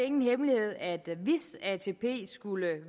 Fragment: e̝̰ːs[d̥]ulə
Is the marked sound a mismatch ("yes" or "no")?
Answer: yes